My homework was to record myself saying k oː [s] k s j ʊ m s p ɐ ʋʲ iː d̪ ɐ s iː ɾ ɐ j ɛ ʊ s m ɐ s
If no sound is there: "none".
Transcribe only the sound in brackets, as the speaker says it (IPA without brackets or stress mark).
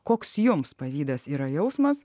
none